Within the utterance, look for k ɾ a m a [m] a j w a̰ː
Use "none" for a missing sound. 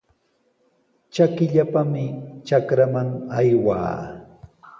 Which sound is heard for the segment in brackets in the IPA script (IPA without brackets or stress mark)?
ŋ